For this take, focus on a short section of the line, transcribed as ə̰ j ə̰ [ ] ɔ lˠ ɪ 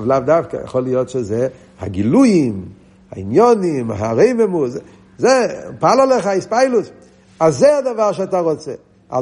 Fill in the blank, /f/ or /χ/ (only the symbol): χ